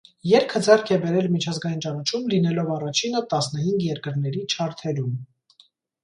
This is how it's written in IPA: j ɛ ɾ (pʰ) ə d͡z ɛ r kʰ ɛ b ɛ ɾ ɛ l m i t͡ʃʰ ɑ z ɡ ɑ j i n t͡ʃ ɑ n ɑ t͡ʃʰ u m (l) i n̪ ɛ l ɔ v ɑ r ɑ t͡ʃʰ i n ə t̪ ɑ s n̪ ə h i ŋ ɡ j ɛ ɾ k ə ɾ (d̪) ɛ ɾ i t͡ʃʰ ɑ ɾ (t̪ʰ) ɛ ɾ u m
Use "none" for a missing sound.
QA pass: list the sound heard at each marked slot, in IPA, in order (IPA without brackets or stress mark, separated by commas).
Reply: kʰ, l, n̪, t̪ʰ